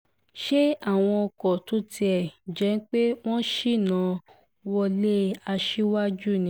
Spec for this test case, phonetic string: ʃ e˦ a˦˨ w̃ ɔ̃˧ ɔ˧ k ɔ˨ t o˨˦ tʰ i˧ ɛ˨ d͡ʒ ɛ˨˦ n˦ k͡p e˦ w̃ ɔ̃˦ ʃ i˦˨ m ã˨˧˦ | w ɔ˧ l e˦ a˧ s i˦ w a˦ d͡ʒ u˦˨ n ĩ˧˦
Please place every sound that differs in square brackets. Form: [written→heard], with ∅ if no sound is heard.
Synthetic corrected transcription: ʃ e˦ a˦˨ w̃ ɔ̃˧ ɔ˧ k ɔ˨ t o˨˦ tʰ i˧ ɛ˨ d͡ʒ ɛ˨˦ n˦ k͡p e˦ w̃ ɔ̃˦ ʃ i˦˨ [m→n] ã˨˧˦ | w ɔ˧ l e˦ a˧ [s→ʃ] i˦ w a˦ d͡ʒ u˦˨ n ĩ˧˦